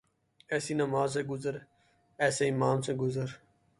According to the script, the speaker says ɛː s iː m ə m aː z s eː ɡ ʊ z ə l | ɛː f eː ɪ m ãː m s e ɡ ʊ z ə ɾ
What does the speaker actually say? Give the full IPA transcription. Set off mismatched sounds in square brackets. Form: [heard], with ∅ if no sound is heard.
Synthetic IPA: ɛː s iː [n] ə m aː z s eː ɡ ʊ z ə [ɾ] | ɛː [s] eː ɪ m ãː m s e ɡ ʊ z ə ɾ